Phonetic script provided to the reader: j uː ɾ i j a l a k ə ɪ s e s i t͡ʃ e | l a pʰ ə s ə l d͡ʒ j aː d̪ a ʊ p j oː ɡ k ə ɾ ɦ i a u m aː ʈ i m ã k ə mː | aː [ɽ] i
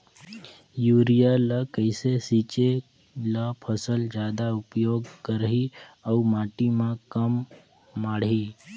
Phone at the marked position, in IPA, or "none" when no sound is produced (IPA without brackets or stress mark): ɽ